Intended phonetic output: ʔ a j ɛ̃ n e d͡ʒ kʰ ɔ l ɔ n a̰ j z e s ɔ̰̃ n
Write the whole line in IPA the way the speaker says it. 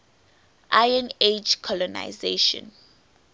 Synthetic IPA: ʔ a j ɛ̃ n e d͡ʒ kʰ ɔ l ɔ n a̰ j z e ʃ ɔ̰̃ n